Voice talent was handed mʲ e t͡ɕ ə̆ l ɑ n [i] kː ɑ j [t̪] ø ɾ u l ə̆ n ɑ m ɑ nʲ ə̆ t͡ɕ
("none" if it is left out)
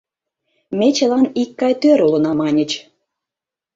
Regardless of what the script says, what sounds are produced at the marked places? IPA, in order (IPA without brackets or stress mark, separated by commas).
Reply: i, t̪